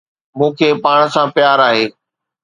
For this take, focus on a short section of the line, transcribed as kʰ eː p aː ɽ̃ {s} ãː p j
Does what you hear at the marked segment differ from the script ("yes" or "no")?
no